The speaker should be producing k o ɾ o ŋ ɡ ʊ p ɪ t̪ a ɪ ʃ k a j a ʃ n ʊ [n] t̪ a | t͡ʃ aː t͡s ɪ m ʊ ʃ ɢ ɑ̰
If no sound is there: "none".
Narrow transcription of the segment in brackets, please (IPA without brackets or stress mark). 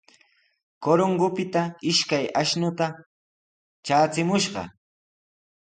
none